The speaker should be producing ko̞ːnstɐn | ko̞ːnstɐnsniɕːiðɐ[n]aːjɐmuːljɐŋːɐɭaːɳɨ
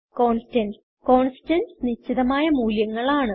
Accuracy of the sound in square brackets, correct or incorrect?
incorrect